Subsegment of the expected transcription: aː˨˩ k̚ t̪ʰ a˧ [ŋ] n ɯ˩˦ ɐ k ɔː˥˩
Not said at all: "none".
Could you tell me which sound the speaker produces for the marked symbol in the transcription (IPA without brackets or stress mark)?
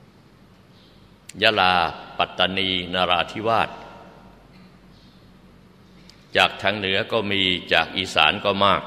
ŋ